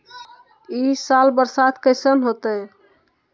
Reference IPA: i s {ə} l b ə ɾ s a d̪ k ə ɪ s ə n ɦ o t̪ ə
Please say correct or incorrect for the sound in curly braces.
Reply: incorrect: a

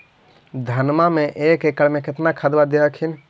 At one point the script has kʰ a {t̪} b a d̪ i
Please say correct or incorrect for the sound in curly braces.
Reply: incorrect: d̪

